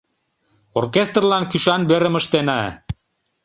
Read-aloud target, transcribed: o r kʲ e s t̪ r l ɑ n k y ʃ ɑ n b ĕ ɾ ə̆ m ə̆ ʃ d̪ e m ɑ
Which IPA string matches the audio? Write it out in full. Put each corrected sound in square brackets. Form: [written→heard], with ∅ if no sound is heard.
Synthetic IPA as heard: o r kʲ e s t̪ r l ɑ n k y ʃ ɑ n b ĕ ɾ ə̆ m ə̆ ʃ [d̪→t̪] e [m→n] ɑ

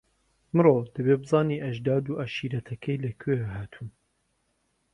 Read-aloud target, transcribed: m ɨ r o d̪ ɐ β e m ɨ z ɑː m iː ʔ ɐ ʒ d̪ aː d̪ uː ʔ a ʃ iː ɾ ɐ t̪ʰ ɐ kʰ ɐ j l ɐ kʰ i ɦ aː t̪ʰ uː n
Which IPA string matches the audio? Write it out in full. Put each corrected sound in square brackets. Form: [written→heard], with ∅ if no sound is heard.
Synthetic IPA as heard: m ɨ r o d̪ ɐ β e [m→b] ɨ z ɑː [m→n] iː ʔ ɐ ʒ d̪ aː d̪ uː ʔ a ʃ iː ɾ ɐ t̪ʰ ɐ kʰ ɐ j l ɐ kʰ [i→e] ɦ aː t̪ʰ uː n

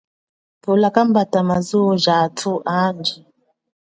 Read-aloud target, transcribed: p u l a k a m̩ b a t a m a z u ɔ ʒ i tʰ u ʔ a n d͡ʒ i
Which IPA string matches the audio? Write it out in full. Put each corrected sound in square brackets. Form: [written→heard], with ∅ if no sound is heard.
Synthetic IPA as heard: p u l a k a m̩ b a t a m a z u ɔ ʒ [i→a] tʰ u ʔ a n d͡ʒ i

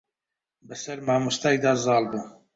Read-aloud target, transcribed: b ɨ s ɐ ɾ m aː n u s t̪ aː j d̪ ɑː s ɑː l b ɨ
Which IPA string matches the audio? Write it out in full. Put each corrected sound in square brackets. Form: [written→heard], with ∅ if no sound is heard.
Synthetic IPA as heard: b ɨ s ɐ ɾ m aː [n→m] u s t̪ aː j d̪ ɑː [s→z] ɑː l b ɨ

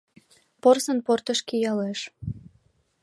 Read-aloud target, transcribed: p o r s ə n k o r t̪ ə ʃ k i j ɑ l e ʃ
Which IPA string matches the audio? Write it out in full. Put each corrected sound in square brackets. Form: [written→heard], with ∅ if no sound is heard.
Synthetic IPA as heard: p o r s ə n [k→p] o r t̪ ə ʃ k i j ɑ l e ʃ

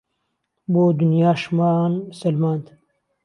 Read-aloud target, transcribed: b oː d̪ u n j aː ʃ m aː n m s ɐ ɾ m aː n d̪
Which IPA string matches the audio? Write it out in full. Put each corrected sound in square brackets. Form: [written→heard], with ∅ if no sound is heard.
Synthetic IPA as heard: b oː d̪ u n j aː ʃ m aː n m s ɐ [ɾ→l] m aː n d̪

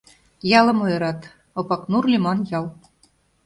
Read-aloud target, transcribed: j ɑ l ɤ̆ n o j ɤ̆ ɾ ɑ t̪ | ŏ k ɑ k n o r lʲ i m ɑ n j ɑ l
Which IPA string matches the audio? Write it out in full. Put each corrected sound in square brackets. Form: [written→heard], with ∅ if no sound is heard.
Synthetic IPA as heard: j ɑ l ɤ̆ [n→m] o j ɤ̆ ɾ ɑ t̪ | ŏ [k→p] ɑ k n [o→u] r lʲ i m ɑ n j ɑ l

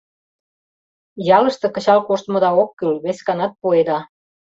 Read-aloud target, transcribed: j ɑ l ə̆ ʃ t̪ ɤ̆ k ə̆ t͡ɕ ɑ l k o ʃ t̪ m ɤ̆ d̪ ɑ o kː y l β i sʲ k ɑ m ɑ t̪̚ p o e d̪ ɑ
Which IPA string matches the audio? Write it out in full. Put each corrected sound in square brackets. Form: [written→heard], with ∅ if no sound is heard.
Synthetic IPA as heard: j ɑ l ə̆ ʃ t̪ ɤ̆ k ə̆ t͡ɕ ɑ l k o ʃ t̪ m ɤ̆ d̪ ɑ o kː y l β [i→e] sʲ k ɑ [m→n] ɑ t̪̚ p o e d̪ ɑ

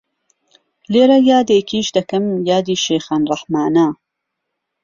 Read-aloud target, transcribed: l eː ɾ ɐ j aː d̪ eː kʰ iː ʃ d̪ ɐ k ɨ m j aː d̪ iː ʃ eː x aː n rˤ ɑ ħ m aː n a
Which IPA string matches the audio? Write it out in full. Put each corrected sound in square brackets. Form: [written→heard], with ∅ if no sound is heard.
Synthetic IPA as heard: l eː ɾ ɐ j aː d̪ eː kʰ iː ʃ d̪ ɐ k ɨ m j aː d̪ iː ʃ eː x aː n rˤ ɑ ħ m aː n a

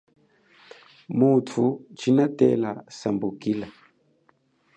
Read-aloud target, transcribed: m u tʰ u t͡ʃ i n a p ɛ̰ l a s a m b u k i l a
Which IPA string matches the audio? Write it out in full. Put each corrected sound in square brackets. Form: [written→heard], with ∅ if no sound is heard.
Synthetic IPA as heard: m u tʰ u t͡ʃ i n a [p→t] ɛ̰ l a s a m b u k i l a

